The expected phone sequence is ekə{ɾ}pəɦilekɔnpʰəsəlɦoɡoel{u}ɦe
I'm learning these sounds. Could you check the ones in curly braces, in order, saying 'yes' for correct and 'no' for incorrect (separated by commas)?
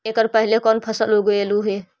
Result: yes, yes